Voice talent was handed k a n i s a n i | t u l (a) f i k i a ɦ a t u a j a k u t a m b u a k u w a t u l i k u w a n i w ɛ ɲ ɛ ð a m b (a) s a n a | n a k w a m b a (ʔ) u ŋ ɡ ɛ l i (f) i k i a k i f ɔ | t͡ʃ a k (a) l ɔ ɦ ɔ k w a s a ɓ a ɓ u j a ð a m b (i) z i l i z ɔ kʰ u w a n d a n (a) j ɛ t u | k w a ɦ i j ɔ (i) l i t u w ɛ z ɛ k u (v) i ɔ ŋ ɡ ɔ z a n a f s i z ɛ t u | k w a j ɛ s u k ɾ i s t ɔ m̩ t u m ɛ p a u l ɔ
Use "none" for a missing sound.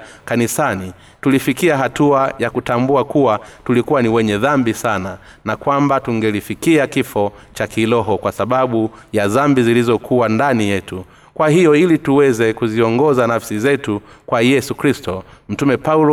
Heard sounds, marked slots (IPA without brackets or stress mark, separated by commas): i, i, t, f, i, i, i, i, z